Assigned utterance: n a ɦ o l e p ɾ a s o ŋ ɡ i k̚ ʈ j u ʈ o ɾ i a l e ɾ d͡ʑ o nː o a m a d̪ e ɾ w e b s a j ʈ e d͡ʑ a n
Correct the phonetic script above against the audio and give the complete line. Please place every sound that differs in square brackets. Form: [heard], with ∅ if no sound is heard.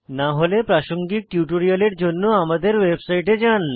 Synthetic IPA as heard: n a ɦ o l e p ɾ a [ʃ] o ŋ ɡ i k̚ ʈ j u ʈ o ɾ i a l e ɾ d͡ʑ o nː o a m a d̪ e ɾ w e b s a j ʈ e d͡ʑ a n